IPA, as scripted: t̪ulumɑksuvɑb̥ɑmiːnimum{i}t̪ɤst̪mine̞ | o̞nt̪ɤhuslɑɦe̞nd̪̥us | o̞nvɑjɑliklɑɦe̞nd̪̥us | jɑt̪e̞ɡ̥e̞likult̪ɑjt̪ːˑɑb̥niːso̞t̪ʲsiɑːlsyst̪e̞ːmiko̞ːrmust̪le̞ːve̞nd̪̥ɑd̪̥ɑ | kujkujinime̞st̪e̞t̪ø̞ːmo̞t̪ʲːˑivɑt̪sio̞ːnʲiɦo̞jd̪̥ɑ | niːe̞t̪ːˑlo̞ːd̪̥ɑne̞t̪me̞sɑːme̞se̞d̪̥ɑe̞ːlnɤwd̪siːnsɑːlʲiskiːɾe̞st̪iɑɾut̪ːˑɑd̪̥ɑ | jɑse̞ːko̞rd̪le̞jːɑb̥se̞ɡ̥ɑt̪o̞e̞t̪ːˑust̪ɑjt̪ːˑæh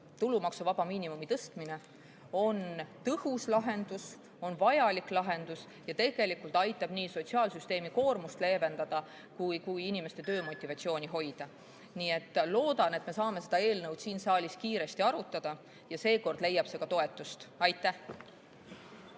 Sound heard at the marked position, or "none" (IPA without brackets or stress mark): i